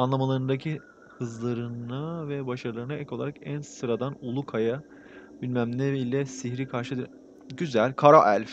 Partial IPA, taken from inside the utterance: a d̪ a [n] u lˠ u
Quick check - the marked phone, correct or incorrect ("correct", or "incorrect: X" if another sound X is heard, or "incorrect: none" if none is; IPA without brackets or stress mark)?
correct